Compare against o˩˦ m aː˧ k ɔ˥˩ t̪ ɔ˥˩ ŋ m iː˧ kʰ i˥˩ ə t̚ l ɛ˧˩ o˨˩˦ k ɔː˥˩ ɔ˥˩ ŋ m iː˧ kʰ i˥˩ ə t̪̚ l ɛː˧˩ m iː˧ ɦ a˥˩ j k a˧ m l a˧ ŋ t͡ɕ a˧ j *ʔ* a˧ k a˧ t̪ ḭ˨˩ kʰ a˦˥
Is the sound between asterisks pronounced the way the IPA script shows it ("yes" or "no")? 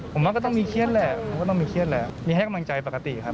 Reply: no